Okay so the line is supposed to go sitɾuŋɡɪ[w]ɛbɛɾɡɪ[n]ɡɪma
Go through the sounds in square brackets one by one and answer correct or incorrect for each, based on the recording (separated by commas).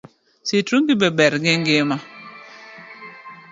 incorrect, incorrect